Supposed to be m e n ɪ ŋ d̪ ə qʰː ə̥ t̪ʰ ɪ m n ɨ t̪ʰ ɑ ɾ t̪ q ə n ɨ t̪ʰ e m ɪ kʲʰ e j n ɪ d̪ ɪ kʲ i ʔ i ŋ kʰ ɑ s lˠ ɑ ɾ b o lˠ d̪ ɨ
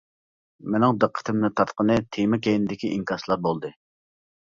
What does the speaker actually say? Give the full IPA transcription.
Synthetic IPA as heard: m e n ɪ ŋ d̪ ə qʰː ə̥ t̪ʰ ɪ m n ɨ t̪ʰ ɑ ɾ t̪ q ə n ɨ t̪ʰ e m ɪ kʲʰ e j n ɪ d̪ ɪ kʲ i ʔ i ŋ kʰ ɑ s lˠ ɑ ɾ b o lˠ d̪ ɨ